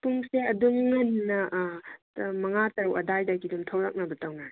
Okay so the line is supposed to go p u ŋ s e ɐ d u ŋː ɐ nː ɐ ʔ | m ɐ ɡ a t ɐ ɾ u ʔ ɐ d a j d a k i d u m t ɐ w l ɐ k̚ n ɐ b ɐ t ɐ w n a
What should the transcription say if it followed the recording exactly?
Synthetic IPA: p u ŋ s e ɐ d u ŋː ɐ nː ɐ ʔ | m ɐ ŋ a t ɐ ɾ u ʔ ɐ d a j d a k i d u m tʰ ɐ w l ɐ k̚ n ɐ b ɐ t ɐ w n a

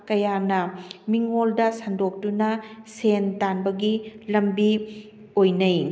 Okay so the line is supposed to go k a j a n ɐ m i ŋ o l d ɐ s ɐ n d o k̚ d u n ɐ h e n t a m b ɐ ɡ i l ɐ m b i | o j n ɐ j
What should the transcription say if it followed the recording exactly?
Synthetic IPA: k ɐ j a n ɐ m i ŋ o l d ɐ s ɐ n d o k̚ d u n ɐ s e n t a n b ɐ ɡ i l ɐ m b i | o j n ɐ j

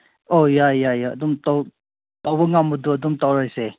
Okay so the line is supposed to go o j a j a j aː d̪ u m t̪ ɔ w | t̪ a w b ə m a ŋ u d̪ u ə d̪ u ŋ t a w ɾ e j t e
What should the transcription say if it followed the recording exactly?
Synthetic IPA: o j a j a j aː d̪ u m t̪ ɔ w | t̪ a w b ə ŋ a m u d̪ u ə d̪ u m t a w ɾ a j s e

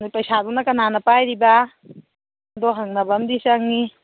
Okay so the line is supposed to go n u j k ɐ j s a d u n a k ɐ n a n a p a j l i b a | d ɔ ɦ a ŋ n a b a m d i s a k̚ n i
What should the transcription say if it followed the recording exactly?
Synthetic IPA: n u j p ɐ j s a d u n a k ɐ n a n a p a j ɾ i b a | d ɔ ɦ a ŋ n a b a m d i s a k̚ n i

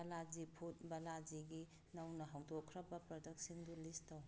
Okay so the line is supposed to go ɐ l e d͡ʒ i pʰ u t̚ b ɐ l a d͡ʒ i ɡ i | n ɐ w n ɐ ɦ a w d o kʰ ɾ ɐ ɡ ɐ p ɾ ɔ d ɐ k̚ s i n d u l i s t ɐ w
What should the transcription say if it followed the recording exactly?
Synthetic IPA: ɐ l a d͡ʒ i pʰ u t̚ b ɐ l a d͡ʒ i ɡ i | n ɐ w n ɐ ɦ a w d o kʰ ɾ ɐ b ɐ p ɾ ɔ d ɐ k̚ s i n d u l i s t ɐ w

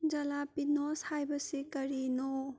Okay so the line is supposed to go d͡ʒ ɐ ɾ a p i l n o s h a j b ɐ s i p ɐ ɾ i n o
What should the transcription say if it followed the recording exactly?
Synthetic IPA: d͡ʒ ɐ l a p i n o s h a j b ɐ s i k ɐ ɾ i n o

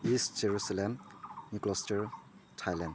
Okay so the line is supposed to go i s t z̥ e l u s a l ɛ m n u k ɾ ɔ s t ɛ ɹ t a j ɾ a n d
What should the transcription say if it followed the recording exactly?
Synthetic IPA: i s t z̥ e ɹ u s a l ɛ m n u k l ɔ s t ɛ ɹ tʰ a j l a n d

